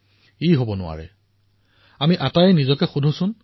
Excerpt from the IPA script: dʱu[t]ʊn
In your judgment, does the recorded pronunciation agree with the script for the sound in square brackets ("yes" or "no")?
no